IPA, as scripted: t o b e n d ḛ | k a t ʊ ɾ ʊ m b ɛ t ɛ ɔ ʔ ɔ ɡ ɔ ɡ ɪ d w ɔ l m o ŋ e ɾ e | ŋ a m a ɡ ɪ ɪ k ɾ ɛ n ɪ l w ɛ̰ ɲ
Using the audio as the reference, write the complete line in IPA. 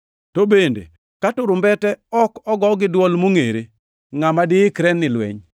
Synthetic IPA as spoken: t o b e n d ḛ | k a t ʊ ɾ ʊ m b ɛ t ɛ ɔ k ɔ ɡ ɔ ɡ ɪ d w ɔ l m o ŋ e ɾ e | ŋ a m a d ɪ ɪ k ɾ ɛ n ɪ l w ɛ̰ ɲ